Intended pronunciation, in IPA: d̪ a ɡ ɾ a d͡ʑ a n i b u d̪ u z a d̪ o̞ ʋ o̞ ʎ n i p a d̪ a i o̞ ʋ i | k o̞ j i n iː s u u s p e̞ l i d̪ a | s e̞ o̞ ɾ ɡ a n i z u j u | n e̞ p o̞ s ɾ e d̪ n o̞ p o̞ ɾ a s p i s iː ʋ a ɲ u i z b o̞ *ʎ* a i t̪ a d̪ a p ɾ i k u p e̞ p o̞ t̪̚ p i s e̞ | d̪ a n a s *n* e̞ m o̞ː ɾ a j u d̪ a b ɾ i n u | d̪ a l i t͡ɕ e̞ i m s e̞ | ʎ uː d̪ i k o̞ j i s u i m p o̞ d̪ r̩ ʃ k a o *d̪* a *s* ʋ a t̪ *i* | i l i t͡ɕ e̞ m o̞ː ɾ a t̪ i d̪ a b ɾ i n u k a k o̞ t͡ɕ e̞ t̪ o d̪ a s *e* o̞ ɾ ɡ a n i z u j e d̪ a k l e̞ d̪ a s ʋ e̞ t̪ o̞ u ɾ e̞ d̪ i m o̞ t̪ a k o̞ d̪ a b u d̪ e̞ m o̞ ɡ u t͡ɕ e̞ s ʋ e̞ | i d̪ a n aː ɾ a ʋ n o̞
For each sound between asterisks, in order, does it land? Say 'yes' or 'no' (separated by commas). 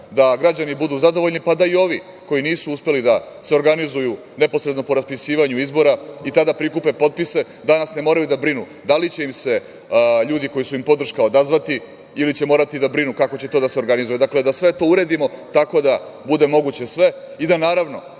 no, yes, yes, no, yes, yes